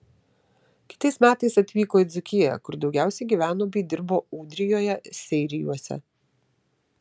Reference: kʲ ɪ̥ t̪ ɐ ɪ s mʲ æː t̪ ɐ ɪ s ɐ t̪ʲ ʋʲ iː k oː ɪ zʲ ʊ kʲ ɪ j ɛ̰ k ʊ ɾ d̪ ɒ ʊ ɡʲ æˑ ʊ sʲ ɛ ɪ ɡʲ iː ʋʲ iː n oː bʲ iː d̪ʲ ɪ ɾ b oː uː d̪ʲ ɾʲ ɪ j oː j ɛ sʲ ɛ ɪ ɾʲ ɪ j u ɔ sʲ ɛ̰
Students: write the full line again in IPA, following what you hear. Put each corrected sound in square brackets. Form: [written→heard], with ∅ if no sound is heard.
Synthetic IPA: kʲ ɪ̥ t̪ ɐ ɪ s mʲ æː t̪ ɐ ɪ s ɐ t̪ʲ ʋʲ iː k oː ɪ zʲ ʊ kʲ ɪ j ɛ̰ k ʊ ɾ d̪ ɒ ʊ ɡʲ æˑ ʊ sʲ ɛ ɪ ɡʲ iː ʋʲ [iː→æː] n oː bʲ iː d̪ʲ ɪ ɾ b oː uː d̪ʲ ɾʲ ɪ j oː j ɛ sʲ ɛ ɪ ɾʲ ɪ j u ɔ sʲ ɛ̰